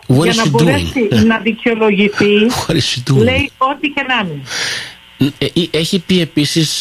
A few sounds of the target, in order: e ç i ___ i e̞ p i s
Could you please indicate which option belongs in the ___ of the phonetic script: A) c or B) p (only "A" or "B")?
B